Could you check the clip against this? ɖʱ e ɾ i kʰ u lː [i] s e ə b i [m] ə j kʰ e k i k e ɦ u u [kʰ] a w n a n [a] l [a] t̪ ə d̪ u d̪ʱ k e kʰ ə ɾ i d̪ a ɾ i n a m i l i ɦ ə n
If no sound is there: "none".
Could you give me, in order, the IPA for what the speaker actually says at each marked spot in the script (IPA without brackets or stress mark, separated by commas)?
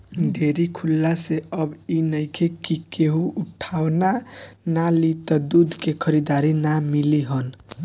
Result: a, n, ʈʰ, a, i